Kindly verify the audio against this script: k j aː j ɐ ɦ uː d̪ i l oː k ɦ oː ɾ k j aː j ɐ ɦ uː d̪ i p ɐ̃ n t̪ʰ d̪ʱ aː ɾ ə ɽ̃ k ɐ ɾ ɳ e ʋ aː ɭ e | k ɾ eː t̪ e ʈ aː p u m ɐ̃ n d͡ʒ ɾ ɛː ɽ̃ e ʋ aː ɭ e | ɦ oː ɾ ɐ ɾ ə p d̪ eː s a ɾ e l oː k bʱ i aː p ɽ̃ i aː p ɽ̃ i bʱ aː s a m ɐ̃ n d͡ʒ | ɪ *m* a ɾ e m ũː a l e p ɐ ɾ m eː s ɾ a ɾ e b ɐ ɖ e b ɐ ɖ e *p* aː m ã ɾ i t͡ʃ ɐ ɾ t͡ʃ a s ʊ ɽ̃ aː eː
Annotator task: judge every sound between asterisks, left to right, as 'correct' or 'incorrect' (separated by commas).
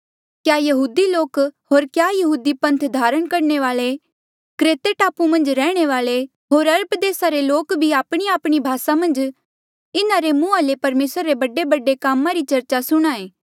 incorrect, incorrect